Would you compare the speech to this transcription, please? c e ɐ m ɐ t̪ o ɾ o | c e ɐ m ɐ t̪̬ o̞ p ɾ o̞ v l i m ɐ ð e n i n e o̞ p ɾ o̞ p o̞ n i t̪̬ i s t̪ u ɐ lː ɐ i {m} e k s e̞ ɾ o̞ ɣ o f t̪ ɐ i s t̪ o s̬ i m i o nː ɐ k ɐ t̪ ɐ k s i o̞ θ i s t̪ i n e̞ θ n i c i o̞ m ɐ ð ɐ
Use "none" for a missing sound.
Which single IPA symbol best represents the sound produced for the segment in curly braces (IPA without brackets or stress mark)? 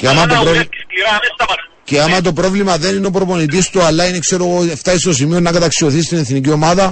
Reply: n